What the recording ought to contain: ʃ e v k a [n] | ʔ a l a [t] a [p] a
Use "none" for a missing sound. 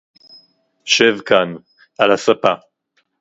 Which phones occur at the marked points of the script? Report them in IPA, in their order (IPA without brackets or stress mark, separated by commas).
n, s, p